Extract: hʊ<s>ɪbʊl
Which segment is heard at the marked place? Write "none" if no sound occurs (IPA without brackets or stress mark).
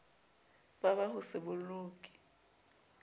s